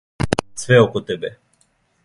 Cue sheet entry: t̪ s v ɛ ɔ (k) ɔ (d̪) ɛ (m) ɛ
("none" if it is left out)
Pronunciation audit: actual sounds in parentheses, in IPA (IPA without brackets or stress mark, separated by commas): k, t̪, b